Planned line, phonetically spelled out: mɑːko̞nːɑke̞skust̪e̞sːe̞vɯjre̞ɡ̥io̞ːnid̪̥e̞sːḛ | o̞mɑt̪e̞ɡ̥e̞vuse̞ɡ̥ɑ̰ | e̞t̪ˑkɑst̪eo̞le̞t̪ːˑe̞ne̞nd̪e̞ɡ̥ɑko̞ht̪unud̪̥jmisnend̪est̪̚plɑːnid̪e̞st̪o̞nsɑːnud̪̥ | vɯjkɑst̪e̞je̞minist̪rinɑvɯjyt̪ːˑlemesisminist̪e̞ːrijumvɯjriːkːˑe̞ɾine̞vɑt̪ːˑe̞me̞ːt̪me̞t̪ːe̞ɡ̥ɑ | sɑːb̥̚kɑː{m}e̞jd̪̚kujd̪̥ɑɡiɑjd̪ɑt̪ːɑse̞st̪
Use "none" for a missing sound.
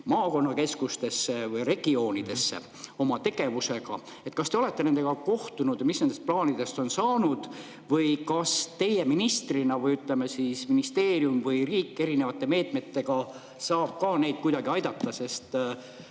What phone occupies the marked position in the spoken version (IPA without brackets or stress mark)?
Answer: n